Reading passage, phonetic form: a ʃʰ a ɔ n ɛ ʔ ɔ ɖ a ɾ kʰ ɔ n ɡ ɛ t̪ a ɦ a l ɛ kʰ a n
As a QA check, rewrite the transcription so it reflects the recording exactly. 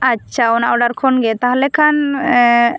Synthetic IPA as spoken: a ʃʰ a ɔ n a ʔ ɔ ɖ a ɾ kʰ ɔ n ɡ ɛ t̪ a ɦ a l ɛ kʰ a n

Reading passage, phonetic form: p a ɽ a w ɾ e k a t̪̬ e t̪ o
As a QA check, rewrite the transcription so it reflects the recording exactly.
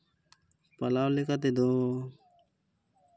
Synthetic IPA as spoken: p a l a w l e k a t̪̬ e d̪ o

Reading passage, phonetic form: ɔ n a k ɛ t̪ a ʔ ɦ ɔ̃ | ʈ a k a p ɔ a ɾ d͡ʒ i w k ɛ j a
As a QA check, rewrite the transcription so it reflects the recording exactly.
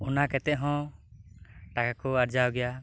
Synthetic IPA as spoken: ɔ n a k ɛ t̪ ɛ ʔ ɦ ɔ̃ | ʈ a k a k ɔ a ɾ d͡ʒ a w ɡ ɛ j a

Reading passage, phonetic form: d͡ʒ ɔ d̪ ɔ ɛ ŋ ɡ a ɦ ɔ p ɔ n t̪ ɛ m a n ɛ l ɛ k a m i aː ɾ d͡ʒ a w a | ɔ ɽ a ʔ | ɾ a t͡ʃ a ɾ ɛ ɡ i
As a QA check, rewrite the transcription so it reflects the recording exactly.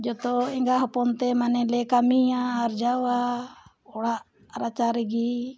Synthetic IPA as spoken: d͡ʒ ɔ t̪ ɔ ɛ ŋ ɡ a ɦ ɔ p ɔ n t̪ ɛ m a n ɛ l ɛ k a m i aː ɾ d͡ʒ a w a | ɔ ɽ a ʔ | ɾ a t͡ʃ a ɾ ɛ ɡ i

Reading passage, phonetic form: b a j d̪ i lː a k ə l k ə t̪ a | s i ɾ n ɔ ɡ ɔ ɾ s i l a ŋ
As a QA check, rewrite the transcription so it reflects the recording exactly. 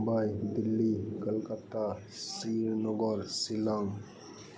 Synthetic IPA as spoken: b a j d̪ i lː i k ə l k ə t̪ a | s i ɾ n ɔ ɡ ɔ ɾ s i l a ŋ

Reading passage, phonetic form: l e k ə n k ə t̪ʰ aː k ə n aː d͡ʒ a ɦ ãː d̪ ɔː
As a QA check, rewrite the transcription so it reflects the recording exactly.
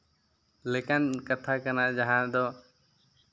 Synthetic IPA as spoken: l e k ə n k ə t̪ʰ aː k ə n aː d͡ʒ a ɦ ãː d̪ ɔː

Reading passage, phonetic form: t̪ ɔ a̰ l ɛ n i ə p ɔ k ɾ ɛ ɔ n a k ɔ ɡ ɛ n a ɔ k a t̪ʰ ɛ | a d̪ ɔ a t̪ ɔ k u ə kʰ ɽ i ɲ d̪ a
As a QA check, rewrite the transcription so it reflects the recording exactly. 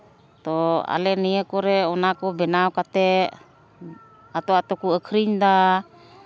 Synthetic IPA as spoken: t̪ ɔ a̰ l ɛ n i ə k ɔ ɾ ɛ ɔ n a k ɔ b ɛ n a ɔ k a t̪ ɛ | a t̪ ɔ a t̪ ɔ k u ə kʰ ɾ i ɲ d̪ a

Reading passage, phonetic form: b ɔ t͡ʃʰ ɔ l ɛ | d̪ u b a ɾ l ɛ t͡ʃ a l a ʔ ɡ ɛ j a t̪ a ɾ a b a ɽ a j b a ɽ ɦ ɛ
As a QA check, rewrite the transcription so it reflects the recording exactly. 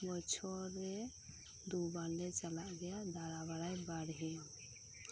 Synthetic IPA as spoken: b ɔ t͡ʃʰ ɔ ɾ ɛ | d̪ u b a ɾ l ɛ t͡ʃ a l a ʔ ɡ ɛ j a d̪ a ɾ a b a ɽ a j b a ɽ ɦ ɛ

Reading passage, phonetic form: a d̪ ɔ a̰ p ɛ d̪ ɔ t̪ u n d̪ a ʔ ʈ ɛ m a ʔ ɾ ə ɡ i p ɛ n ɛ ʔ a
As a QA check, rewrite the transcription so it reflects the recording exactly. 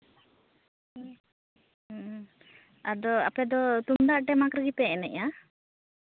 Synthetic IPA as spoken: a d̪ ɔ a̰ p ɛ d̪ ɔ t̪ u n d̪ a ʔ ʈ ɛ m a k ɾ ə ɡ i p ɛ n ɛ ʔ a

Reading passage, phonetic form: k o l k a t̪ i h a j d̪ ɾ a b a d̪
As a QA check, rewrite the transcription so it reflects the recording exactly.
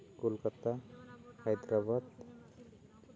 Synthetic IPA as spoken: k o l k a t̪ a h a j d̪ ɾ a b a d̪

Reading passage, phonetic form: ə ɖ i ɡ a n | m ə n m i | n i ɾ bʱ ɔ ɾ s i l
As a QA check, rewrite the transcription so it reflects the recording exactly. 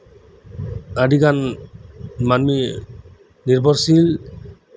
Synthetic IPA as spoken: a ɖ i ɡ a n | m a n m i | n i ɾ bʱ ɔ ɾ s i l

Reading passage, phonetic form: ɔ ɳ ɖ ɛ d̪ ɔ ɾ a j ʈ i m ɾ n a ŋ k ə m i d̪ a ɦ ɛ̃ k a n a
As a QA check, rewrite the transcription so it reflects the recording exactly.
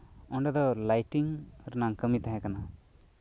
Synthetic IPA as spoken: ɔ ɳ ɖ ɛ d̪ ɔ l a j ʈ i ŋ ɾ n a ŋ k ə m i t̪ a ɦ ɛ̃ k a n a

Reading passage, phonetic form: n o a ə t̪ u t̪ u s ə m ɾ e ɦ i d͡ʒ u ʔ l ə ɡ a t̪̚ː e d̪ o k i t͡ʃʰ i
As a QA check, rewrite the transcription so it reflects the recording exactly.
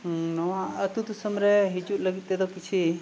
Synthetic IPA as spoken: n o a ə t̪ u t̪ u s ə m ɾ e ɦ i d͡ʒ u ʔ l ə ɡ i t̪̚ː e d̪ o k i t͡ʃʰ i

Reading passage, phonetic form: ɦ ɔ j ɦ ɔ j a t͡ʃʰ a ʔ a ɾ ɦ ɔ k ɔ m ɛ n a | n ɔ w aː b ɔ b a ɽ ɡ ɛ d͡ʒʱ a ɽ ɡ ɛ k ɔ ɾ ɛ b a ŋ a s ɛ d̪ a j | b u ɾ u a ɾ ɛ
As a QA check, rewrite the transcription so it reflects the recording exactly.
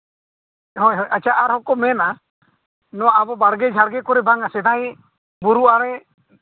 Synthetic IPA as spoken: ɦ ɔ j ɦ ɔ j a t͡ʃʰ a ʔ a ɾ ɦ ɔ k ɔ m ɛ n a | n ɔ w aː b ɔ b a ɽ ɡ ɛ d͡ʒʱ a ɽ ɡ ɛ k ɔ ɾ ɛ b a ŋ a s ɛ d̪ a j | b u ɾ u a ɾ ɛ

